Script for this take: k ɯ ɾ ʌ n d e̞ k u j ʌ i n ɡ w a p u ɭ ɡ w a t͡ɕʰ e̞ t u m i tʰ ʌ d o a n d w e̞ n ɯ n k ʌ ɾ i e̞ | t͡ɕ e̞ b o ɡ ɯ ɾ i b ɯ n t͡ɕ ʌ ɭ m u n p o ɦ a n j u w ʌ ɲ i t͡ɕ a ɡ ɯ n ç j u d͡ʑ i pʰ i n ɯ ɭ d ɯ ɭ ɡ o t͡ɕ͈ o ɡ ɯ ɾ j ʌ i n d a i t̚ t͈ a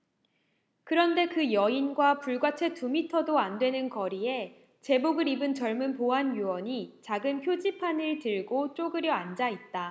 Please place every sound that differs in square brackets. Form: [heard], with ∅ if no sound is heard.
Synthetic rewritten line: k ɯ ɾ ʌ n d e̞ k [ɯ] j ʌ i n ɡ w a p u ɭ ɡ w a t͡ɕʰ e̞ t u m i tʰ ʌ d o a n d w e̞ n ɯ n k ʌ ɾ i e̞ | t͡ɕ e̞ b o ɡ ɯ ɾ i b ɯ n t͡ɕ ʌ ɭ m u n p o ɦ a n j u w ʌ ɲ i t͡ɕ a ɡ ɯ n ç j [o] d͡ʑ i pʰ [a] n ɯ ɭ [t] ɯ ɭ ɡ o t͡ɕ͈ o ɡ ɯ ɾ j ʌ [a] n [d͡ʑ] a i t̚ t͈ a